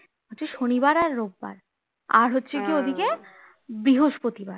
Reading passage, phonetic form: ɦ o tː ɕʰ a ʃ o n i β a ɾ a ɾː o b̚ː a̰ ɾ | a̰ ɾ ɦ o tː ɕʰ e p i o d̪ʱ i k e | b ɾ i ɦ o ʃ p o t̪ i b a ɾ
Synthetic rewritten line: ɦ o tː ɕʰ e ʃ o n i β a ɾ a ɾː o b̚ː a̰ ɾ | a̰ ɾ ɦ o tː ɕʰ e k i o d̪ʱ i k e | b ɾ i ɦ o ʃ p o t̪ i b a ɾ

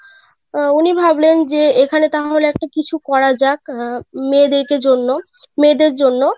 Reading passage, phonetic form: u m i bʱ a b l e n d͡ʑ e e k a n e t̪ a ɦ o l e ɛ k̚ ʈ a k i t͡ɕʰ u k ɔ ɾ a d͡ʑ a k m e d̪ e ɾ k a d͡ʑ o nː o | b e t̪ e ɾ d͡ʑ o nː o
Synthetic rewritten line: u n i bʱ a b l e n d͡ʑ e e kʰ a n e t̪ a ɦ o l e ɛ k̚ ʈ a k i t͡ɕʰ u k ɔ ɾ a d͡ʑ a k m e d̪ e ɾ k e d͡ʑ o nː o | m e d̪ e ɾ d͡ʑ o nː o

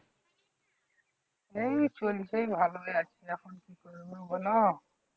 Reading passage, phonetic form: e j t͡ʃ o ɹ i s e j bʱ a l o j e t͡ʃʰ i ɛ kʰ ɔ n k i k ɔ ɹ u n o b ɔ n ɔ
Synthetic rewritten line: e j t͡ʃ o l i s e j bʱ a l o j a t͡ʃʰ i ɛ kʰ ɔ n k i k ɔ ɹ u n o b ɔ n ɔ

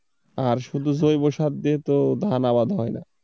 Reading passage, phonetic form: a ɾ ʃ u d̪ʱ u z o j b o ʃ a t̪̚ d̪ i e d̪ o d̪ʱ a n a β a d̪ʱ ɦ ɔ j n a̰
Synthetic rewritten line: a ɾ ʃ u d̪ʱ u z o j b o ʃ a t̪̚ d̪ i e t̪ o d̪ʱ a n a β a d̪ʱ ɦ ɔ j n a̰

